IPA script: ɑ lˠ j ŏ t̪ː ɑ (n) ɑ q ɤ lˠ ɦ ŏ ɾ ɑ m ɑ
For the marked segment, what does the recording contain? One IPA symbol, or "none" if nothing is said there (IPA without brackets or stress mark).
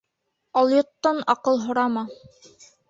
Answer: n